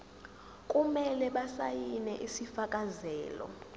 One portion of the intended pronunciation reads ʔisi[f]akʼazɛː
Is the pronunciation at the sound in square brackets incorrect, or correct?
correct